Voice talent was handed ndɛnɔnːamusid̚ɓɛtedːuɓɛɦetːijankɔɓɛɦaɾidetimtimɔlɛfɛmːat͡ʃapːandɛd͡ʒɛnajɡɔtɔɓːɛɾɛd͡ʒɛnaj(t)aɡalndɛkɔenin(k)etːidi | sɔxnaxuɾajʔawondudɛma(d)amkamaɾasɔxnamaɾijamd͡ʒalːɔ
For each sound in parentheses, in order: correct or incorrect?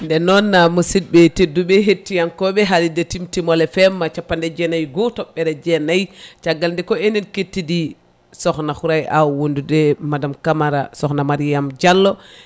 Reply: incorrect, correct, correct

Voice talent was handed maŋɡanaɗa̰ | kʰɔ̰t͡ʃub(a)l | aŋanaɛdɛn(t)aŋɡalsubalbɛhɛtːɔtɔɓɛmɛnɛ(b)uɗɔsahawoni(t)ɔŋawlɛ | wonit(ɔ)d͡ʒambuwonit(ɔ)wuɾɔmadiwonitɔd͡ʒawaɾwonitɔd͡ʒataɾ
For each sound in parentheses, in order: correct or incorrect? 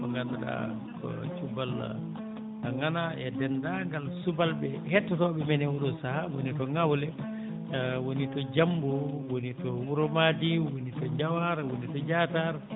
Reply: correct, incorrect, incorrect, correct, correct, correct

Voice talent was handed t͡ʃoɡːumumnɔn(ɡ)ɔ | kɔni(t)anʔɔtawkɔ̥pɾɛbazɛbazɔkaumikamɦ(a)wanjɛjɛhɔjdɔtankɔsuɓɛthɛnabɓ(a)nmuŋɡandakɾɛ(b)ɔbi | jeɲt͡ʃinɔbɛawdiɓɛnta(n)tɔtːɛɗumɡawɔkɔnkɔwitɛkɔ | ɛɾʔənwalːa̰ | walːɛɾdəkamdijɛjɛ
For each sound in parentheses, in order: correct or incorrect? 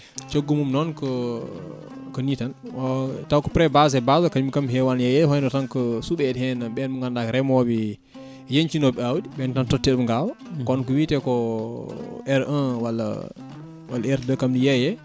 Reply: incorrect, correct, incorrect, incorrect, incorrect, correct

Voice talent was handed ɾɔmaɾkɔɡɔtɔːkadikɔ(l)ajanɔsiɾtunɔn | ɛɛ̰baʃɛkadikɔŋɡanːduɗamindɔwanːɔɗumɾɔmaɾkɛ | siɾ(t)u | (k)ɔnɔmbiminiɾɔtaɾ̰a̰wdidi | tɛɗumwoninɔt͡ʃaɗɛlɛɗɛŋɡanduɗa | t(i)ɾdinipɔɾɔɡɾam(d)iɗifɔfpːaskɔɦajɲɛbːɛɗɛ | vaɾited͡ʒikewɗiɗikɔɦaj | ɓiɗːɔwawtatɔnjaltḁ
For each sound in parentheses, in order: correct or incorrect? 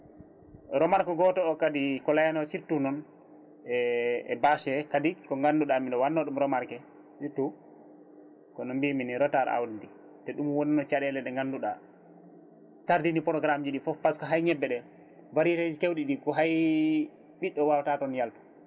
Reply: correct, correct, correct, incorrect, incorrect

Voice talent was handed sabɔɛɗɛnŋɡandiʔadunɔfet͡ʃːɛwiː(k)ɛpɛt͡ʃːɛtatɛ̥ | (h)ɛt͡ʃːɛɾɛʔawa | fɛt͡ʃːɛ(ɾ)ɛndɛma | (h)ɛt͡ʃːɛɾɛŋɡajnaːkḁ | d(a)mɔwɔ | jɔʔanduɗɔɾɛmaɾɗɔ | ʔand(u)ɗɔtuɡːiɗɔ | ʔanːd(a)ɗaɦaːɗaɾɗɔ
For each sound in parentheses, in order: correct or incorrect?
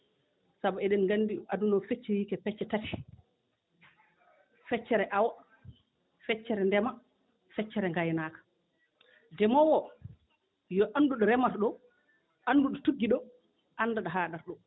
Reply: correct, incorrect, correct, incorrect, incorrect, correct, correct

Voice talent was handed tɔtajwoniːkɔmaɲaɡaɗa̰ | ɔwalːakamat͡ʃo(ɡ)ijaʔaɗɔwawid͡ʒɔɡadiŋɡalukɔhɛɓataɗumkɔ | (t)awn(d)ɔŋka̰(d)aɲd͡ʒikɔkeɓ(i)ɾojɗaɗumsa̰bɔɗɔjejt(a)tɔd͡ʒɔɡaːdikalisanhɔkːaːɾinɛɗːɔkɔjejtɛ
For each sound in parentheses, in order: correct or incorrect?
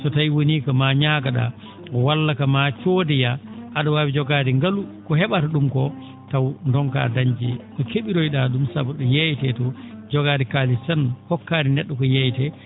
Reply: incorrect, correct, correct, correct, correct, incorrect

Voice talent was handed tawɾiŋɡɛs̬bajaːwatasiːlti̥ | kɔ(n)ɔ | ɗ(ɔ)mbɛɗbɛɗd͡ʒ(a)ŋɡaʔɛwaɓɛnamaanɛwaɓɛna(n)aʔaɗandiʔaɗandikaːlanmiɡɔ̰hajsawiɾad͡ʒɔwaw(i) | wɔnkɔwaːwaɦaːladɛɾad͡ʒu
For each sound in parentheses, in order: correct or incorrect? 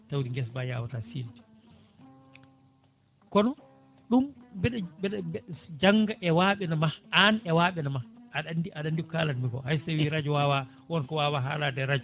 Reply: correct, incorrect, correct, incorrect, incorrect

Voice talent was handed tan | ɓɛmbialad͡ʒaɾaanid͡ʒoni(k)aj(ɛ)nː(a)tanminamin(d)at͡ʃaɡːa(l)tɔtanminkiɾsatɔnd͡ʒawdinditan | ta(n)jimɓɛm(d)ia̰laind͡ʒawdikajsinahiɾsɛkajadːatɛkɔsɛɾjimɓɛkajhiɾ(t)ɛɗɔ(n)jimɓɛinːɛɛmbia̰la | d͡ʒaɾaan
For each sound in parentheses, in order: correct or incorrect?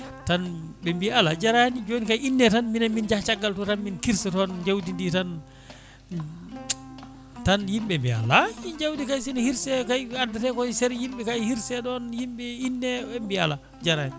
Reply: correct, incorrect, incorrect, incorrect, correct, correct, incorrect, incorrect, correct

